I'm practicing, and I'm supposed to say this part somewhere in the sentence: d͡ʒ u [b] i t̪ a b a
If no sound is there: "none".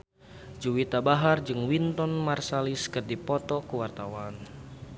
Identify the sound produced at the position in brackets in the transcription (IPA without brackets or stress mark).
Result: w